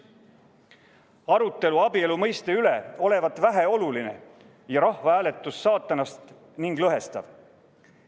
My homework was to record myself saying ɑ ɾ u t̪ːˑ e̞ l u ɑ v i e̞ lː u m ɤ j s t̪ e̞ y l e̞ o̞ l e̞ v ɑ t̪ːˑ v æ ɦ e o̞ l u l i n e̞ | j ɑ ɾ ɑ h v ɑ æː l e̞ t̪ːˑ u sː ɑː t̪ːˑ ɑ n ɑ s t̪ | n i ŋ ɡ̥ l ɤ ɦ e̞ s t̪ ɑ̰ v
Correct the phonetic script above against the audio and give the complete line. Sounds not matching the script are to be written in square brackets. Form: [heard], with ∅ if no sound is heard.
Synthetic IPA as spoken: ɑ ɾ u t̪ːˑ e̞ l u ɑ [b] i e̞ [l] u m ɤ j s t̪ e̞ y l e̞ o̞ l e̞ v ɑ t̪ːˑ v æ ɦ e o̞ l u l i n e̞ | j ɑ ɾ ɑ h v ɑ æː l e̞ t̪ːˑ u sː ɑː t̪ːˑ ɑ n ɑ s t̪ | n i ŋ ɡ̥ l ɤ ɦ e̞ s t̪ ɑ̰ v

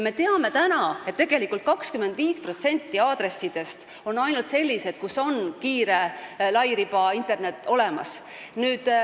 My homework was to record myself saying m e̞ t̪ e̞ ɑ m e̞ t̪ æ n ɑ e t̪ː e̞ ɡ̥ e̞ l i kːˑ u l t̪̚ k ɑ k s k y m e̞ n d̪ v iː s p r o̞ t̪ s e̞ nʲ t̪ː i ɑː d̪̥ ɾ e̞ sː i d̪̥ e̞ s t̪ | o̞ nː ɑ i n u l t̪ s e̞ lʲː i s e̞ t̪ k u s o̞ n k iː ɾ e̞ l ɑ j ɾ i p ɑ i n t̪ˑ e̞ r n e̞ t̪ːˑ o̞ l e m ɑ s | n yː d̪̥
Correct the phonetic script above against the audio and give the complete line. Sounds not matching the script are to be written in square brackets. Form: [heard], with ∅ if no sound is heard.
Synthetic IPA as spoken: m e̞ t̪ e̞ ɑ m e̞ t̪ æ n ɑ e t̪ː e̞ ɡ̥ e̞ l i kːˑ u l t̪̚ k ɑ k s k y m e̞ n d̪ v iː s p r o̞ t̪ s e̞ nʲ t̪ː i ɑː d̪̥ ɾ e̞ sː i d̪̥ e̞ s t̪ | o̞ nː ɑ [j] n u l t̪ s e̞ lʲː i s e̞ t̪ k u s o̞ n k iː ɾ e̞ l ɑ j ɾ i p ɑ i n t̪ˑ e̞ r n e̞ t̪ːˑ o̞ l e m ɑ s | n yː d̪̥

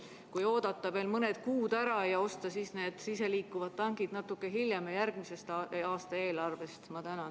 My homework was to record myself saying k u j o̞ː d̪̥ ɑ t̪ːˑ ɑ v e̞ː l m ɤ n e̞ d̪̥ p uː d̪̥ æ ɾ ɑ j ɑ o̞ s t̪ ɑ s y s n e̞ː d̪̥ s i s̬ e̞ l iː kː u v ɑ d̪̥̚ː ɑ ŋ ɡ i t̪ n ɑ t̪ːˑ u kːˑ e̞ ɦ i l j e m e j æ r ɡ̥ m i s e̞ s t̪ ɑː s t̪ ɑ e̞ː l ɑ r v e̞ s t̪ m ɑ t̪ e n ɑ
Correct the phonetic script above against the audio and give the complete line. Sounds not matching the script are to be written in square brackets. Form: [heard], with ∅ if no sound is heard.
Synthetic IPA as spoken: k u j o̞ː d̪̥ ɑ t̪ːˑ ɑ v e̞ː l m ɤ n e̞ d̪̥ [k] uː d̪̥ æ ɾ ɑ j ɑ o̞ s t̪ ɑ s [i] s n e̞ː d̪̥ s i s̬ e̞ l iː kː u v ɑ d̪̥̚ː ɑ ŋ ɡ i [d̪] n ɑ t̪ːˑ u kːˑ e̞ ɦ i l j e m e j æ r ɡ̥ m i s e̞ s t̪ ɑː s t̪ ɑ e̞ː l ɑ r v e̞ s t̪ m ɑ t̪ [æ] n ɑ

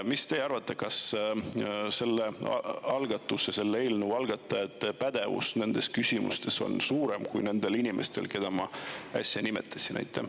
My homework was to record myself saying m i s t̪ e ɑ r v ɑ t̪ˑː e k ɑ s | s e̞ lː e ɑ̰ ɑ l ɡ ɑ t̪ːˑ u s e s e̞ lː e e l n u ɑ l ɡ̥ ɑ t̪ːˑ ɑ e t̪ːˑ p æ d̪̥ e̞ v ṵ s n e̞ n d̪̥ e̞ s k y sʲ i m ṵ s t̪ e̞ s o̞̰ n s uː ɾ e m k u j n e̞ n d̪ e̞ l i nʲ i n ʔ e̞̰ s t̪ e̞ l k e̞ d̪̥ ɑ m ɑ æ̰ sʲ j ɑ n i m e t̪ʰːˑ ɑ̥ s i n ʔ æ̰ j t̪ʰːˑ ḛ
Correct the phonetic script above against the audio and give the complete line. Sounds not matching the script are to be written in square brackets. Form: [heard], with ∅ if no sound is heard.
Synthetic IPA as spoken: m i s t̪ e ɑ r v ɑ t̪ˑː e k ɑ s | s e̞ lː e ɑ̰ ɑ l ɡ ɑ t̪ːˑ u s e s e̞ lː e e l n u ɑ l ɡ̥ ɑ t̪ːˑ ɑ e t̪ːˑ p æ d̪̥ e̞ v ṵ s n e̞ n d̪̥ e̞ s k y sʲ i m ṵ s t̪ e̞ s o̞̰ n s uː ɾ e m k u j n e̞ n d̪ e̞ l i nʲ i [m] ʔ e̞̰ s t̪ e̞ l k e̞ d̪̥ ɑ m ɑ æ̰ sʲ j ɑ n i m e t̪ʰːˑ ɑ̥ s i n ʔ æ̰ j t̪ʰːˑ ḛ

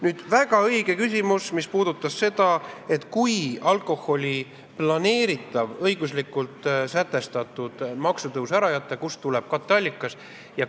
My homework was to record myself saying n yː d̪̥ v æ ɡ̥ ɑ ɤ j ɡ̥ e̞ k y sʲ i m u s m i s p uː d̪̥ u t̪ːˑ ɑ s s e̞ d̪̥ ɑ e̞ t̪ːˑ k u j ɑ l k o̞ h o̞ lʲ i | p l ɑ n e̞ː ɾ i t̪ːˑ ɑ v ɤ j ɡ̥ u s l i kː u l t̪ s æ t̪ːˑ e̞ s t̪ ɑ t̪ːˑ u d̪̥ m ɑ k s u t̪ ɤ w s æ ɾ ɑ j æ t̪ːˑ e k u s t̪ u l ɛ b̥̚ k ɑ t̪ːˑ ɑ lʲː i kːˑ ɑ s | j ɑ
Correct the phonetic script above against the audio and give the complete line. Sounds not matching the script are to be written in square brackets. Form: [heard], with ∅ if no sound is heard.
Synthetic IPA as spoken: n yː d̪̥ v æ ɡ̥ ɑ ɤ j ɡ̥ e̞ k y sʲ i m u s m i s p uː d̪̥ u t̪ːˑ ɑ s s e̞ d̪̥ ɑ e̞ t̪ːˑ k u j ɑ l k o̞ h o̞ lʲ i | p l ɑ n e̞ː ɾ i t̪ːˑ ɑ v ɤ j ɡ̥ u s l i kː u l t̪ s æ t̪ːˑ e̞ s t̪ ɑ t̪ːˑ u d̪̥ m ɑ k s u t̪ ɤ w s æ ɾ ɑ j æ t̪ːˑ e k u s t̪ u l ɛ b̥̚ k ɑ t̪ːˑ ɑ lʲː i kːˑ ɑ s | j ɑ

